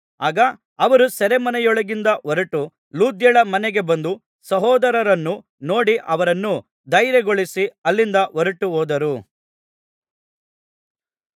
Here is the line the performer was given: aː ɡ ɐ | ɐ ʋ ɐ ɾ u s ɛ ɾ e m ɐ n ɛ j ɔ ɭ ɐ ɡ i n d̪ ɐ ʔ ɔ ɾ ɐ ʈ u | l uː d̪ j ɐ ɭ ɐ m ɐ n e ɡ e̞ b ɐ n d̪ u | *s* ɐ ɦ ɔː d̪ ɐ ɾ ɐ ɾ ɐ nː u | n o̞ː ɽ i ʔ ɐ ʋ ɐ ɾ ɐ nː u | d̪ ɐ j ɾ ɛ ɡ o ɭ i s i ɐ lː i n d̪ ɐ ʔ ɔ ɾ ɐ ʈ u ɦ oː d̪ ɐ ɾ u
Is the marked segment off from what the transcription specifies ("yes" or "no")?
no